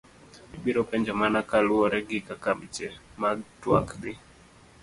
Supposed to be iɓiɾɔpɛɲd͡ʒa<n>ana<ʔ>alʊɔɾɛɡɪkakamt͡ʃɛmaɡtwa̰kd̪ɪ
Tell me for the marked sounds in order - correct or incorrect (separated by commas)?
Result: incorrect, incorrect